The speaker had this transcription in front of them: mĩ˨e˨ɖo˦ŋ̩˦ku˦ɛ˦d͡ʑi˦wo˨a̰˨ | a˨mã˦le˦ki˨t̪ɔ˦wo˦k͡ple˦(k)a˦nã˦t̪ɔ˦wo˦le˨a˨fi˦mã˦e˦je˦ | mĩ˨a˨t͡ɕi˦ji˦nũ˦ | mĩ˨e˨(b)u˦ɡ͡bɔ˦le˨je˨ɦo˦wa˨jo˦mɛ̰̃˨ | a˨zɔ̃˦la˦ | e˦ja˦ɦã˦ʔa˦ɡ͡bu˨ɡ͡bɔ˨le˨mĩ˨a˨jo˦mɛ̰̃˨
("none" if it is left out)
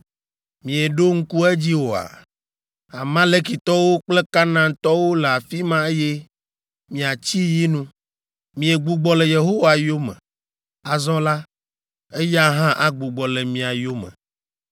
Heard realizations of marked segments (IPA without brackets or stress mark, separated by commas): k, ɡ͡b